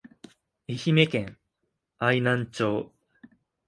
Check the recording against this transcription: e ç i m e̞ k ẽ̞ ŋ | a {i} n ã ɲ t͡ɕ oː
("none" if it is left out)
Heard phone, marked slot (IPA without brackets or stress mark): i